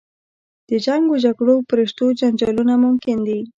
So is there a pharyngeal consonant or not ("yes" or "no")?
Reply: no